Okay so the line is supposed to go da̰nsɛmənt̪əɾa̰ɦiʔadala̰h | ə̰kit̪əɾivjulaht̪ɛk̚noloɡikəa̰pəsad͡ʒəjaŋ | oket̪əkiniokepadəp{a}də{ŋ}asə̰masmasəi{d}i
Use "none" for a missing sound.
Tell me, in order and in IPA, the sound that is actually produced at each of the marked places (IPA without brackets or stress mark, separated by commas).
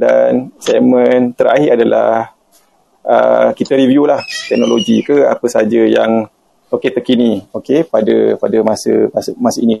a, m, n